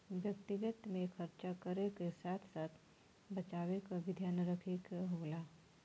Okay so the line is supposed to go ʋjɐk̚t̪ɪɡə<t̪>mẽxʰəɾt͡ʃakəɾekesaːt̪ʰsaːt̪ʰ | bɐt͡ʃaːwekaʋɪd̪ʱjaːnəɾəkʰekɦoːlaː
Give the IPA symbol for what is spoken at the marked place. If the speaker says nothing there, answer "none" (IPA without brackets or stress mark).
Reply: t̪